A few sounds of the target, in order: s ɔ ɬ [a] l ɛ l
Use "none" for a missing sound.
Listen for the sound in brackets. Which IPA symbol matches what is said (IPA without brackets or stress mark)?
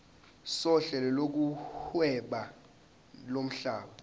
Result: ɛ